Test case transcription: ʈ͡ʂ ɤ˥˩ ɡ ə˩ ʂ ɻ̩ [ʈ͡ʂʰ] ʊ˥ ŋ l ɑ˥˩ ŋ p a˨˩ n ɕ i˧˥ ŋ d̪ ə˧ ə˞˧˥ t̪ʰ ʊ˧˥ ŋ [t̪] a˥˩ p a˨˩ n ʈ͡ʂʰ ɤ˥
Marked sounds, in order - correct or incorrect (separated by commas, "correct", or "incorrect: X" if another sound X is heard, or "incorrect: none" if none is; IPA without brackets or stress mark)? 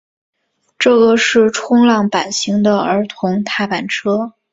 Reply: correct, incorrect: t̪ʰ